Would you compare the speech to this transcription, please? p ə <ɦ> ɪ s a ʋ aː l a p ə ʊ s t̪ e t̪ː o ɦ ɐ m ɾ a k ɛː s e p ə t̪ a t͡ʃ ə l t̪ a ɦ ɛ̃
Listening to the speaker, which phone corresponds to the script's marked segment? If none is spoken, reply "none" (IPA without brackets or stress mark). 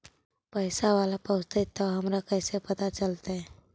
none